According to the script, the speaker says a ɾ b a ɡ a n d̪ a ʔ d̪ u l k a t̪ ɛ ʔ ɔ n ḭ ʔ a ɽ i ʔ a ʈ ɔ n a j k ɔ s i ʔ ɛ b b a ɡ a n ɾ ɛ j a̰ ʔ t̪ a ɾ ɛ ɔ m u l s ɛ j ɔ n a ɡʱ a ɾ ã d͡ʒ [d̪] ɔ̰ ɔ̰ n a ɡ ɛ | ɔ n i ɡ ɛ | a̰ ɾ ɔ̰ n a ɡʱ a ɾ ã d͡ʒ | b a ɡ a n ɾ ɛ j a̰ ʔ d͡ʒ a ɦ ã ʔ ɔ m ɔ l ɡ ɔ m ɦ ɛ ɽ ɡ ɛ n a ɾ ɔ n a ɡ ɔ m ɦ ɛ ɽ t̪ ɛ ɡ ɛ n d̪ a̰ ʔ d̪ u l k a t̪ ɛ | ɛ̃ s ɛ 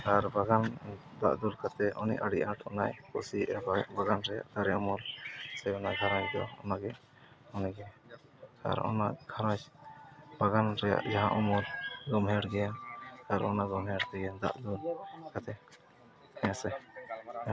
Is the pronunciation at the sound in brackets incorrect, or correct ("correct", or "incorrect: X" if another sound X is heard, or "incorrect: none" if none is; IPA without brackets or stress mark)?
correct